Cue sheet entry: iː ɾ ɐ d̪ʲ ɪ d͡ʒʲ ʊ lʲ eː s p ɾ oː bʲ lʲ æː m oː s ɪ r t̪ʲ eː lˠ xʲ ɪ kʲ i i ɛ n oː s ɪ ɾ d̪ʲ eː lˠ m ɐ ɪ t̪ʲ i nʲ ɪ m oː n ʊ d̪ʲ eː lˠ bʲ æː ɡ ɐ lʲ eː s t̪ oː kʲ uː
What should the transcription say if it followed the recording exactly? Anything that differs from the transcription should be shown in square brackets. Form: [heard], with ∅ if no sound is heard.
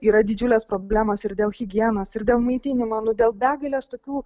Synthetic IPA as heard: iː ɾ ɐ d̪ʲ ɪ d͡ʒʲ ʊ lʲ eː s p ɾ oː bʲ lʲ æː m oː s ɪ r [d̪ʲ] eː lˠ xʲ ɪ [ɡʲ] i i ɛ n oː s ɪ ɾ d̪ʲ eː lˠ m ɐ ɪ t̪ʲ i nʲ ɪ m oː n ʊ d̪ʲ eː lˠ bʲ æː ɡ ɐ lʲ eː s t̪ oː kʲ uː